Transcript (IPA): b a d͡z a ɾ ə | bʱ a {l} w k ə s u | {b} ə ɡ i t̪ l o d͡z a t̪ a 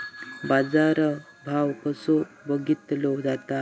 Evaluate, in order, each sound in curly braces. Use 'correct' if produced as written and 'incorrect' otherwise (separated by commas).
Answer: incorrect, correct